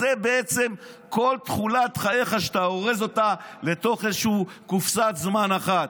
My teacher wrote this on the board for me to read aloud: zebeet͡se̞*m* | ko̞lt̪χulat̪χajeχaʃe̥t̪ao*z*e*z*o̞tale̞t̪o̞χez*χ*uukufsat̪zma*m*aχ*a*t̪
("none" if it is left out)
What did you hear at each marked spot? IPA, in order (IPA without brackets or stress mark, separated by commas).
m, ʁ, z, ʃ, n, a